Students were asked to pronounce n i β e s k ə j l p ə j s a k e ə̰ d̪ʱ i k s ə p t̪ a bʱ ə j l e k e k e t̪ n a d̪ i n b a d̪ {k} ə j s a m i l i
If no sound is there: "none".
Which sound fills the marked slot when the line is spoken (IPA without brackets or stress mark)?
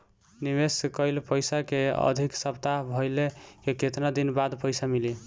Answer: p